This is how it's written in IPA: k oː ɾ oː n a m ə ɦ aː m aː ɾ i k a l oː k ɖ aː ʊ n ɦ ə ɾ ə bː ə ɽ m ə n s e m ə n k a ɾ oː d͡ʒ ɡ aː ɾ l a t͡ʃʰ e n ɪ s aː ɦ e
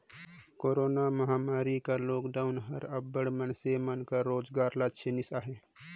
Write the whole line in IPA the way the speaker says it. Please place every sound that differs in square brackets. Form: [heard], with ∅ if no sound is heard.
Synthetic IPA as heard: k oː ɾ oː n a m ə ɦ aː m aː ɾ i k a l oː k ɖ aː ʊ n ɦ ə ɾ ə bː ə ɽ m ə n s e m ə n k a ɾ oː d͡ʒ ɡ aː ɾ l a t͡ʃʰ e n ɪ s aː ɦ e